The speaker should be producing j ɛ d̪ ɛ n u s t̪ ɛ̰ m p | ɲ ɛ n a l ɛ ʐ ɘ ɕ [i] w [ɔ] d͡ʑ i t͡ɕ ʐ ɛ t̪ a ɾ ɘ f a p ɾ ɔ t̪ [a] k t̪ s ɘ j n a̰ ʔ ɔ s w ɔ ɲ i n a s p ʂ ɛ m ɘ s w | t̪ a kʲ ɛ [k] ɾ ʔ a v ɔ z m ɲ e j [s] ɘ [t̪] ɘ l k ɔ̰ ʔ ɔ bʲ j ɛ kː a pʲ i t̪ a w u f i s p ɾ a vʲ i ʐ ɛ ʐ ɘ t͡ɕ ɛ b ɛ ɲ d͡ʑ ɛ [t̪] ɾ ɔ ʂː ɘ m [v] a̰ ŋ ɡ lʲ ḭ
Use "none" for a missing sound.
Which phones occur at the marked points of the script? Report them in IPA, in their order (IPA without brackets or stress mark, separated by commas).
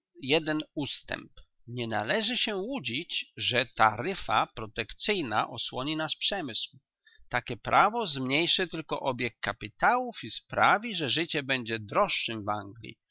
ɛ, u, ɛ, p, ʂ, t̪, d̪, v